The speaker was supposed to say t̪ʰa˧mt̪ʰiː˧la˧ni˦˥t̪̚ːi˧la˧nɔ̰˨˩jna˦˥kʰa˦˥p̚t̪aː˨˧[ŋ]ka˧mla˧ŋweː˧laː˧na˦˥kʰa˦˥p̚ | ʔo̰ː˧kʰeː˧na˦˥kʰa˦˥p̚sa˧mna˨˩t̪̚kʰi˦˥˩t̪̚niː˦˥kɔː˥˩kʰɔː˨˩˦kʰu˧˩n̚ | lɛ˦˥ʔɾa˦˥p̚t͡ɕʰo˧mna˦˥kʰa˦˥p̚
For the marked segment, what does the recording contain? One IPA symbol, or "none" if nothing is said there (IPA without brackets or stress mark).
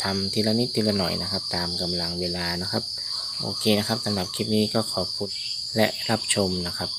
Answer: m